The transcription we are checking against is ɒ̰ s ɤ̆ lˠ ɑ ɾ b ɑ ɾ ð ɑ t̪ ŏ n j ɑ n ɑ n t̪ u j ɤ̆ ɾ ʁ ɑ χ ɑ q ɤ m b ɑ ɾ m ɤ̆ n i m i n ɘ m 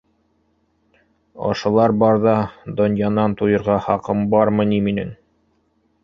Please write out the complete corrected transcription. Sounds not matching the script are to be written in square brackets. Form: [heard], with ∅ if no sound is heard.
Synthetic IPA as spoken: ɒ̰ [ʃ] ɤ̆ lˠ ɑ ɾ b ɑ ɾ ð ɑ [d̪] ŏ n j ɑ n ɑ n t̪ u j ɤ̆ ɾ ʁ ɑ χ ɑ q ɤ m b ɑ ɾ m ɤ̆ n i m i n ɘ [ŋ]